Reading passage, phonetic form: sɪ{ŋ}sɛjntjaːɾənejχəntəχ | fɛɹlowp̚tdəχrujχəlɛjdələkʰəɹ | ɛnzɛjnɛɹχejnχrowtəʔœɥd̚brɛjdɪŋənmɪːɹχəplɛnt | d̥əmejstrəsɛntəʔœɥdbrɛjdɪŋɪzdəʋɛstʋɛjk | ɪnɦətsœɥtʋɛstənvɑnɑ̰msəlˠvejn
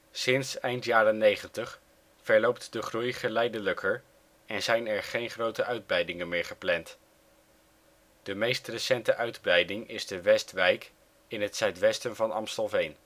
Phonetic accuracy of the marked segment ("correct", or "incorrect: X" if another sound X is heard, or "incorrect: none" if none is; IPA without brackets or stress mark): incorrect: n